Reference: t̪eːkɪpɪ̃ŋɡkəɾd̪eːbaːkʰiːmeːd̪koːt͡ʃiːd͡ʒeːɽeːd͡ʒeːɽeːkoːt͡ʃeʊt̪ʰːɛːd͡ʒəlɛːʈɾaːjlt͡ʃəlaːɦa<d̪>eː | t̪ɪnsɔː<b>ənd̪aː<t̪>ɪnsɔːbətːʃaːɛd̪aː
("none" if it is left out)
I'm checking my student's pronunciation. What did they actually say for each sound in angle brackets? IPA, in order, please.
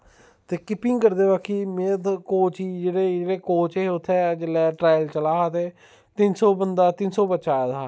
t̪, b, t̪

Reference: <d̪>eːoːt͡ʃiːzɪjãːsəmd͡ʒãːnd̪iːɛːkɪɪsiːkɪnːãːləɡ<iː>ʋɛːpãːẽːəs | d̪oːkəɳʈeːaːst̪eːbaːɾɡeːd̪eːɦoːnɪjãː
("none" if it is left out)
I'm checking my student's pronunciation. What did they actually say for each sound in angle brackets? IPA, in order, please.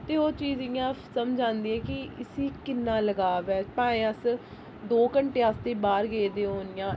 t̪, aː

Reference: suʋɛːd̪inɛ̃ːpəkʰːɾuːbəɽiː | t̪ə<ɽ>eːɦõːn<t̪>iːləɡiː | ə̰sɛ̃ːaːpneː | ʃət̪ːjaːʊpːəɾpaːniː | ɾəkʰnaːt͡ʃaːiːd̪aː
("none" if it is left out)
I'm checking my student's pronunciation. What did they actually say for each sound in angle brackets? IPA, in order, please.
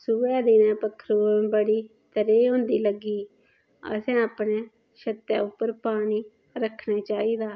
ɾ, d̪

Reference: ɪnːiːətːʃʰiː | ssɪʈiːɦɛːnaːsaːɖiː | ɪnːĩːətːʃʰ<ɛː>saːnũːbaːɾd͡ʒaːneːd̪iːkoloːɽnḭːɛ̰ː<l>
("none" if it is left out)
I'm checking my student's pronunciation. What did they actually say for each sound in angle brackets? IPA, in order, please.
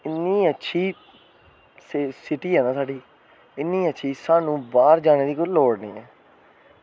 iː, none

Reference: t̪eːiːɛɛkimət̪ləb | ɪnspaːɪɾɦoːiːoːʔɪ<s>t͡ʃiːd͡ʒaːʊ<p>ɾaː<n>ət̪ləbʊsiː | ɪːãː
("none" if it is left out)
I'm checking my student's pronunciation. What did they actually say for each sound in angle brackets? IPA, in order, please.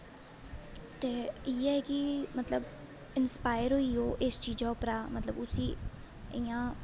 s, p, m

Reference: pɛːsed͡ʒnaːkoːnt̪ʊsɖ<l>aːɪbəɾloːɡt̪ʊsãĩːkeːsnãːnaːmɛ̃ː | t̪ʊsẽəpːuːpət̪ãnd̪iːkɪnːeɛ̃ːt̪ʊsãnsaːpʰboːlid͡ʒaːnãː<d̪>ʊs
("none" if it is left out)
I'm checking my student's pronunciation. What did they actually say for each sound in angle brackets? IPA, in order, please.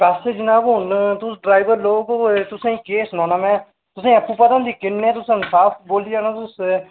ɾ, t̪

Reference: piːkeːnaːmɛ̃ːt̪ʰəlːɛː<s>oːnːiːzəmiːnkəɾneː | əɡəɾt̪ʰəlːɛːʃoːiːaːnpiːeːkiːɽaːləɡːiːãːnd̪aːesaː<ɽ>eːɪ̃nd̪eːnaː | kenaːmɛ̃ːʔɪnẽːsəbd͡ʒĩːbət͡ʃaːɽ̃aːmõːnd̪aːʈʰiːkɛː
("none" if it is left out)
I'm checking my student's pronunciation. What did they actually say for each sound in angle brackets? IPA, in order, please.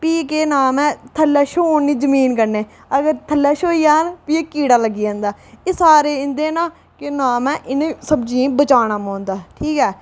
ʃ, ɾ

